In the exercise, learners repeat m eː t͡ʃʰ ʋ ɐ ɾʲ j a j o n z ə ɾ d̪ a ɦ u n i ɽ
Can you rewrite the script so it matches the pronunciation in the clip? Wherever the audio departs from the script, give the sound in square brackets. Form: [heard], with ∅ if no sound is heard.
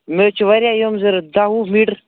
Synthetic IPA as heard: m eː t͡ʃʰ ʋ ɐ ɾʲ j a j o [m] z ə ɾ d̪ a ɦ u [m] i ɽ

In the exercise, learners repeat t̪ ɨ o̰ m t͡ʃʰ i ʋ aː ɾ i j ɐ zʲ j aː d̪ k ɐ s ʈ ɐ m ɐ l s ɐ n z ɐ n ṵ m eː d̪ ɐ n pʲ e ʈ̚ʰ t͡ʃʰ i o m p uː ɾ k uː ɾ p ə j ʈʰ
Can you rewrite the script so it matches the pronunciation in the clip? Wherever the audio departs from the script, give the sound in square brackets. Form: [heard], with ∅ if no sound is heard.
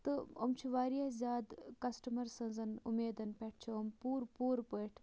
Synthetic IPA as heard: t̪ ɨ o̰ m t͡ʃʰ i ʋ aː ɾ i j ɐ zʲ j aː d̪ k ɐ s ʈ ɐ m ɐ [ɾ] s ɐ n z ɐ n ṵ m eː d̪ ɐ n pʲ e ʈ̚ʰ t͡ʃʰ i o m p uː ɾ [p] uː ɾ p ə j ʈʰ

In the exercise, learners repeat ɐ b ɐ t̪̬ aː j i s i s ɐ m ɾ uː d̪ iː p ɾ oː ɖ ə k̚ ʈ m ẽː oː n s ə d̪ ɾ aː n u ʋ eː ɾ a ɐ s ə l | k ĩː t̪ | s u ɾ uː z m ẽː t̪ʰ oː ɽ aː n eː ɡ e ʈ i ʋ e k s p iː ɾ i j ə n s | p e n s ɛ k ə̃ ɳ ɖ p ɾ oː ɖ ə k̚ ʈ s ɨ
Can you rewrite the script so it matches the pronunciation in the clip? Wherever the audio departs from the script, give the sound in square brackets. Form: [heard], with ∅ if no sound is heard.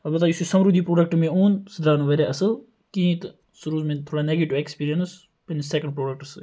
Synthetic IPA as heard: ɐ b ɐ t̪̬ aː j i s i s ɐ m ɾ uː d̪ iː p ɾ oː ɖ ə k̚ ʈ m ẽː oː n s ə d̪ ɾ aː n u ʋ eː ɾ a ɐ s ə l | k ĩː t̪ | s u ɾ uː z m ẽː t̪ʰ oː ɽ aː n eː ɡ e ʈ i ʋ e k s p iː ɾ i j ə n s | p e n s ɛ k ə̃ ɳ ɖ p ɾ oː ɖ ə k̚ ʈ s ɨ

